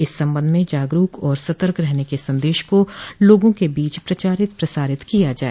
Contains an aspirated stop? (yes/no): no